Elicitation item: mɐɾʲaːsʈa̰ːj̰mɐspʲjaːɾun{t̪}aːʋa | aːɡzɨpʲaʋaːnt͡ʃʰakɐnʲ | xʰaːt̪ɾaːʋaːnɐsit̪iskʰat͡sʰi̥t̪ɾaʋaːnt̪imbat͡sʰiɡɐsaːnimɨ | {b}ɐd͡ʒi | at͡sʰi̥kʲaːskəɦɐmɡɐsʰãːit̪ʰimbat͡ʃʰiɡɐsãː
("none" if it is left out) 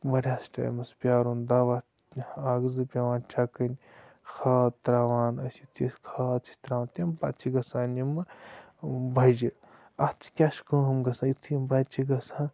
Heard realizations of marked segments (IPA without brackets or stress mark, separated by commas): d̪, b